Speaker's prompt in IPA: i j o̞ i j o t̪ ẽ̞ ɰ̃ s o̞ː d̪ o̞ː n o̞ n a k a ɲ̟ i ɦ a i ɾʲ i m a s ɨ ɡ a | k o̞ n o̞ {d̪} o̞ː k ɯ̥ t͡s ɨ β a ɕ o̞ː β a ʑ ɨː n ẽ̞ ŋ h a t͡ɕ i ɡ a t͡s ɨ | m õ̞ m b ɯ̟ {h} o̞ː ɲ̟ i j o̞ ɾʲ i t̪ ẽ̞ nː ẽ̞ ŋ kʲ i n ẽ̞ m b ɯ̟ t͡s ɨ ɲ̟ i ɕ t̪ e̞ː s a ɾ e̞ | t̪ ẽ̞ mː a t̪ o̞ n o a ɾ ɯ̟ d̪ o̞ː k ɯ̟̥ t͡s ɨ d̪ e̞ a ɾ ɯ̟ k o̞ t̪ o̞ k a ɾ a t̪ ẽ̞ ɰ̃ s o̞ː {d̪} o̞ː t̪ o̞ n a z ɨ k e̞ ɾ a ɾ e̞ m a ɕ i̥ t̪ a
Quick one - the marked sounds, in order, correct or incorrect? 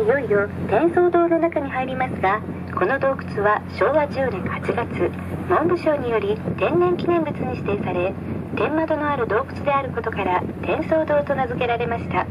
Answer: correct, incorrect: ɕ, correct

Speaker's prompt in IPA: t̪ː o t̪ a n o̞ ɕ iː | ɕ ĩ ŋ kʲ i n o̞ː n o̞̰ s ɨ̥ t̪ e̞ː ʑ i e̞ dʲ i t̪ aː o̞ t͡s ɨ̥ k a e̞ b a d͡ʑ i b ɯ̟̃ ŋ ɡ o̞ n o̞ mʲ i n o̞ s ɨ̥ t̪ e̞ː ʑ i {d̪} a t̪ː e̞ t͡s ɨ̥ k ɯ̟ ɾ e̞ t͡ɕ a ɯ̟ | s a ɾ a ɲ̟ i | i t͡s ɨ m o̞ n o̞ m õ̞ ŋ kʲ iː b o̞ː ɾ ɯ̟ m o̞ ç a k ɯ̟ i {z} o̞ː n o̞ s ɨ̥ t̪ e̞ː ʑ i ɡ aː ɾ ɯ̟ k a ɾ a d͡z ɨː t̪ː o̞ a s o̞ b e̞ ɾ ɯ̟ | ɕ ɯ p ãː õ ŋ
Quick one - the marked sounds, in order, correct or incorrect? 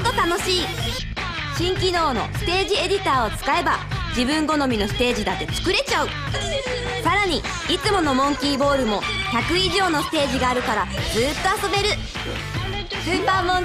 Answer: correct, incorrect: ʑ

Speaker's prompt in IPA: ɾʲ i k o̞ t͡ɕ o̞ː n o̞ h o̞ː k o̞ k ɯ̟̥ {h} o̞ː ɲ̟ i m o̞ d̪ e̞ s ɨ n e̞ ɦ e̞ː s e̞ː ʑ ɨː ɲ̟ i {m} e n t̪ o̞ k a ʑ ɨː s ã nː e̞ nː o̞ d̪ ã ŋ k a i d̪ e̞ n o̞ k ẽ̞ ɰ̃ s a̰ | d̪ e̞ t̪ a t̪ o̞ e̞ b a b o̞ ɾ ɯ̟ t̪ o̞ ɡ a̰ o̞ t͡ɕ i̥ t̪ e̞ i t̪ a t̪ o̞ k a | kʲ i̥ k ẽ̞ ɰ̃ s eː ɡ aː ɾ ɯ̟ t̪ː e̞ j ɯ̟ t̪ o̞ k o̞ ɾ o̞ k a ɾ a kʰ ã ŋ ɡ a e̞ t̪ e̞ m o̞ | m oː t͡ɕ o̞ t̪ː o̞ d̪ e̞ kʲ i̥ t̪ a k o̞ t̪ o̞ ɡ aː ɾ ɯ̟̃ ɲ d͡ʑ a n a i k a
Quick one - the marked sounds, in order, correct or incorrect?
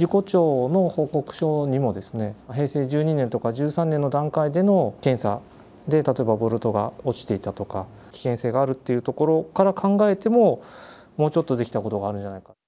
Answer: incorrect: ɕ, incorrect: n

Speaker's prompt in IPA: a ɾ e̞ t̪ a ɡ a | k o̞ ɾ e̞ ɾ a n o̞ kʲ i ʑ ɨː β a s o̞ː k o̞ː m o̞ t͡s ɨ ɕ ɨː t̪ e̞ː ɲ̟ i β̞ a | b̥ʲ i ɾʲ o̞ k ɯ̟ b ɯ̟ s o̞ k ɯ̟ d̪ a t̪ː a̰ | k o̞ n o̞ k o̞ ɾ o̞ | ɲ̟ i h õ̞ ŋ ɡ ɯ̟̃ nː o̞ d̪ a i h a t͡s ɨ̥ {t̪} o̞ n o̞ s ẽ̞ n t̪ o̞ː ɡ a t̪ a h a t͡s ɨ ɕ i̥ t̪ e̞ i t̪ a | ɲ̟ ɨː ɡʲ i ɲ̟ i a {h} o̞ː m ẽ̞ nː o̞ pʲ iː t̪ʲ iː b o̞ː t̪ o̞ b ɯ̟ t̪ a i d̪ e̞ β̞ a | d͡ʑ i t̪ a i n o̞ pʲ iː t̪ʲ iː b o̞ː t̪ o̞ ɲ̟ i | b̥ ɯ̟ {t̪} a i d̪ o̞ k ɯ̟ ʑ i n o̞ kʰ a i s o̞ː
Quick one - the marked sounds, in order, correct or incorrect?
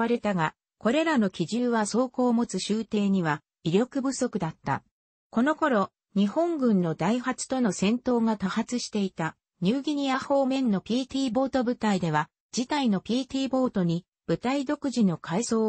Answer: correct, correct, correct

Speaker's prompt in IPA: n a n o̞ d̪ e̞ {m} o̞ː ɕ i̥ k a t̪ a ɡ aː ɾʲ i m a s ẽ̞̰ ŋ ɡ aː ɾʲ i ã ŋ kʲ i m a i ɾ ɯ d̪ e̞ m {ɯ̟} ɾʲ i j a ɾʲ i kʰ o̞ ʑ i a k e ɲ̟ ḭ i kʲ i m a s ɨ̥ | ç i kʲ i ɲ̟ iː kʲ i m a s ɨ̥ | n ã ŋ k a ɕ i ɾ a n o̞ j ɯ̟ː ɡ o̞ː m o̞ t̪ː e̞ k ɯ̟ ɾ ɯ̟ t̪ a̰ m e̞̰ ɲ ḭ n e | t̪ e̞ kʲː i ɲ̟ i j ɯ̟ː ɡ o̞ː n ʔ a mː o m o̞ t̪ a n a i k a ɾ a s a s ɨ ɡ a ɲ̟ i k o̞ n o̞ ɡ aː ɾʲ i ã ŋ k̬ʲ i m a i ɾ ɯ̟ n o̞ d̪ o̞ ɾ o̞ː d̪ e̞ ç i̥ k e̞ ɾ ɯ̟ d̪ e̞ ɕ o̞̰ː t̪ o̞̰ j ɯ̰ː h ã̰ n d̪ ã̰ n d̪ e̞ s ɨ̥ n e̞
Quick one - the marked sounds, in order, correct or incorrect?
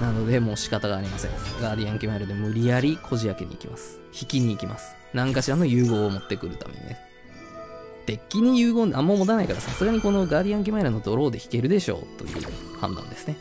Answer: correct, correct

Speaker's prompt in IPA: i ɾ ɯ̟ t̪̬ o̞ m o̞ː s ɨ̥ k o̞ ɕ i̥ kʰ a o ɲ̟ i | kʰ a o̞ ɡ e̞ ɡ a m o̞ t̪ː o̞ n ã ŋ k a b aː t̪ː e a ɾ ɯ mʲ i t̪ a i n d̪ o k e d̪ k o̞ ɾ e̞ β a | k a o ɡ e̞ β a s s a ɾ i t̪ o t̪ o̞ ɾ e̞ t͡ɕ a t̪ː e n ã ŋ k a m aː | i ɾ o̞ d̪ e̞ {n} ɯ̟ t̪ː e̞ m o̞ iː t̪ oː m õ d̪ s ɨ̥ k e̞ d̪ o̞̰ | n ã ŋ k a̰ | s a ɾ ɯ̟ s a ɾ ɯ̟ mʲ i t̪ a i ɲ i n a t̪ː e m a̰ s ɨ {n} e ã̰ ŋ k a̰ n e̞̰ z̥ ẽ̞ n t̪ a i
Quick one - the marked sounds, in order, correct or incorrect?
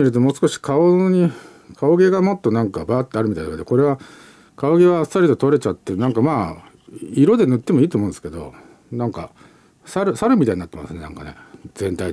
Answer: correct, correct

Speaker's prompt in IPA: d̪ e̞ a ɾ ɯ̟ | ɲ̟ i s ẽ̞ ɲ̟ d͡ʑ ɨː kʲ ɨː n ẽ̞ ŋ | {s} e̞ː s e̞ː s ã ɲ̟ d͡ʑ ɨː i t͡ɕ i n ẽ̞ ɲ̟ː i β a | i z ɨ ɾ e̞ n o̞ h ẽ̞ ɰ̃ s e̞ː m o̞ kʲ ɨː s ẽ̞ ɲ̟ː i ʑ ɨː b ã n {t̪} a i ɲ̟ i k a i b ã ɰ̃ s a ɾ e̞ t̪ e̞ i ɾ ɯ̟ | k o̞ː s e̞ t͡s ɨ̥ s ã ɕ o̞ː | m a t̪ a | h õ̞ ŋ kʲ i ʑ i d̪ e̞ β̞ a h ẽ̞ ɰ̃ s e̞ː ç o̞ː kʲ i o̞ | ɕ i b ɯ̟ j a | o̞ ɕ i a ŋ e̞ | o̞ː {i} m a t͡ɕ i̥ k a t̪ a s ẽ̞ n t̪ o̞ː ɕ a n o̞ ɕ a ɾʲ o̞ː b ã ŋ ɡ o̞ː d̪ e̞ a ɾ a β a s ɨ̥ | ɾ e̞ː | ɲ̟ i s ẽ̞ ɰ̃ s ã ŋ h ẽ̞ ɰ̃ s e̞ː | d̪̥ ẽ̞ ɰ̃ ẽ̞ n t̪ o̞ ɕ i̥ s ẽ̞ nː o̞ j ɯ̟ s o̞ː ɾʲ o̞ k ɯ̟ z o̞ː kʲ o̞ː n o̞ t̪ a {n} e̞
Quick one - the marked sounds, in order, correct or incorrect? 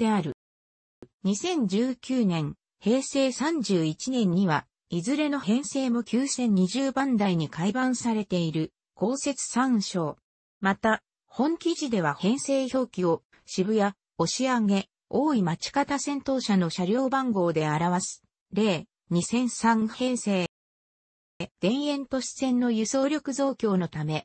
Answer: incorrect: h, incorrect: d̪, correct, incorrect: m

